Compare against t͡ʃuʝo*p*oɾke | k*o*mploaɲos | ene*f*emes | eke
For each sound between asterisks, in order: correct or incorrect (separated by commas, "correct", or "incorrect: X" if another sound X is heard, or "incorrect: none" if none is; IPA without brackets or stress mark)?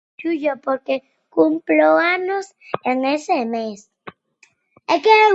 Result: correct, incorrect: u, incorrect: s